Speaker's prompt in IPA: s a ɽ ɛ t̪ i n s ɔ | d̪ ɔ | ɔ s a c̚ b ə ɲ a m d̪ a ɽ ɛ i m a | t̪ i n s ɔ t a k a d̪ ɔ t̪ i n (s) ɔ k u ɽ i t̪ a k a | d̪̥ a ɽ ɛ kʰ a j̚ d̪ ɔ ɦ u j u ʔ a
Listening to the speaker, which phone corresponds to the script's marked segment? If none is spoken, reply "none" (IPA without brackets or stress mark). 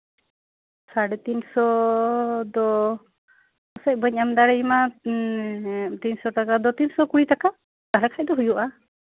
s